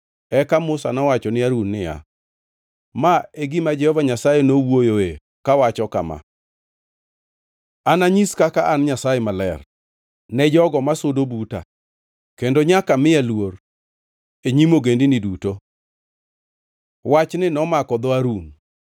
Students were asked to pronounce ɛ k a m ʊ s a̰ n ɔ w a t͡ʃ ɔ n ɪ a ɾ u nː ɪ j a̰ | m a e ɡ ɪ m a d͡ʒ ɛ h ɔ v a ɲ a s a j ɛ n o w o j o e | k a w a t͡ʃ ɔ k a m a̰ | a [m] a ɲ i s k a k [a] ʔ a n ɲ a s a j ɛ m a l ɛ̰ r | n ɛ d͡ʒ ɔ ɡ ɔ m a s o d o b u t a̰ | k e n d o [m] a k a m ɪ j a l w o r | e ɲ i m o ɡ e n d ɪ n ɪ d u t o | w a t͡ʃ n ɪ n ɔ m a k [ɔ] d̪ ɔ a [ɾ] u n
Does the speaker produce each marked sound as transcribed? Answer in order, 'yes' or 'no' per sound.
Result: no, yes, no, yes, yes

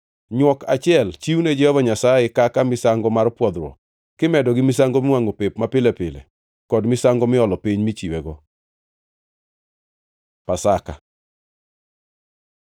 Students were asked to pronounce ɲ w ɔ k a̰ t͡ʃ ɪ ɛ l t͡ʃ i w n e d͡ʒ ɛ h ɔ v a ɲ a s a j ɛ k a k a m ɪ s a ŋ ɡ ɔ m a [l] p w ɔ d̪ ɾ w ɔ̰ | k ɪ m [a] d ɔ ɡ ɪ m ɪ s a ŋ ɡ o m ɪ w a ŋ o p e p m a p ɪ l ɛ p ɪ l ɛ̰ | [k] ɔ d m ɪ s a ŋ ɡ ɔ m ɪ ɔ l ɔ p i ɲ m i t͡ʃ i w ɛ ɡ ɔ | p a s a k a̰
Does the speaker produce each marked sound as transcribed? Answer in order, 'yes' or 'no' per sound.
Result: no, no, yes

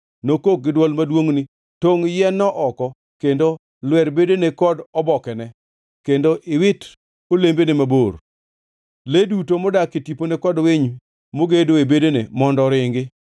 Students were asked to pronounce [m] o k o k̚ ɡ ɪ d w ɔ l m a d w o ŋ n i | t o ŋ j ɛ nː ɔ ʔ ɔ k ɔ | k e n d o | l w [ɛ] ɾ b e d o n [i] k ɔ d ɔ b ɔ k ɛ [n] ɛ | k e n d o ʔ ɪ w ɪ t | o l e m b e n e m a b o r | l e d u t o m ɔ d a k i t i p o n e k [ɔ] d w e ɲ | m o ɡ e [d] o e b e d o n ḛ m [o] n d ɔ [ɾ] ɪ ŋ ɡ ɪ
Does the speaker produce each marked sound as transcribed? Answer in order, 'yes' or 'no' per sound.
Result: no, yes, no, yes, yes, yes, no, yes

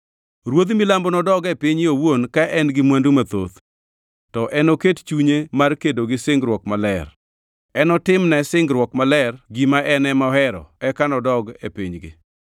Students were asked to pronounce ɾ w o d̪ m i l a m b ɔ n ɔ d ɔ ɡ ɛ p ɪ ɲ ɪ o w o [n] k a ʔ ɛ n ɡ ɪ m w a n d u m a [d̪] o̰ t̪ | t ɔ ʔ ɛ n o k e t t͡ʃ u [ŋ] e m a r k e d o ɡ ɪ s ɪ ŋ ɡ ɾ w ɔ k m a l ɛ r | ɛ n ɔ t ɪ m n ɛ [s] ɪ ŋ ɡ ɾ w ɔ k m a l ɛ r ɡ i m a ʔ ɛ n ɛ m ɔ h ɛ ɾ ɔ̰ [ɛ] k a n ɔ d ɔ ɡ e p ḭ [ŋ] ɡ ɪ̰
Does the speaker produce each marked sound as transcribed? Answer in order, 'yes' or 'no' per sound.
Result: yes, no, no, yes, yes, no

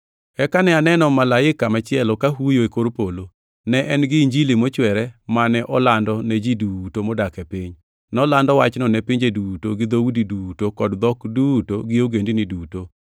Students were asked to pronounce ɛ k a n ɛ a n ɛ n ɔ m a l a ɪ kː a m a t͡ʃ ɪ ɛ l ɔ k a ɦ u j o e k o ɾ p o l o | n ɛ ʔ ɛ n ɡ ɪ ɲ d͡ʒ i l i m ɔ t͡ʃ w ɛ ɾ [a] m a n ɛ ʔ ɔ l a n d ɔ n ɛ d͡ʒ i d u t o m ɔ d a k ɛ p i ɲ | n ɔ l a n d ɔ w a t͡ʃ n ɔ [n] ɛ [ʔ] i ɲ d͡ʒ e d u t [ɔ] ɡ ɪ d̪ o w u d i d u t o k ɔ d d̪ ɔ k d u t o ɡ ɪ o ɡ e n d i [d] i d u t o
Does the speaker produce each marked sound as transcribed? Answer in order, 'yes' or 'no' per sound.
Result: no, yes, no, no, no

